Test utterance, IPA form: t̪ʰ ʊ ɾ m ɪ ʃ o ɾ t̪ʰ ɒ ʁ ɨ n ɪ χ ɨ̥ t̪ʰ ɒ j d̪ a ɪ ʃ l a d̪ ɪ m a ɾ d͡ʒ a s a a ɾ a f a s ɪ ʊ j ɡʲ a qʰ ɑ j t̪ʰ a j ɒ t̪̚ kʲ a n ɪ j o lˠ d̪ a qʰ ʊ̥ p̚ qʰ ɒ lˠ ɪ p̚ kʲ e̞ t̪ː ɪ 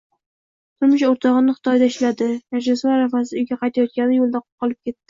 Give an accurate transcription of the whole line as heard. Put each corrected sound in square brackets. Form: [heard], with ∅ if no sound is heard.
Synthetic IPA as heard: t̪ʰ ʊ ɾ m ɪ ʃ o ɾ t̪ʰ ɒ ʁ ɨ n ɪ χ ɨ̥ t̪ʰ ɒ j d̪ a ɪ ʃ l a d̪ ɪ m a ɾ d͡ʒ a s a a ɾ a f a s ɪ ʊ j ɡʲ a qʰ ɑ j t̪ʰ a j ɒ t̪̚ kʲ a n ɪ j o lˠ d̪ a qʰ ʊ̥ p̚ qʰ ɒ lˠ ɪ p̚ kʲ e̞ t̪ː ɪ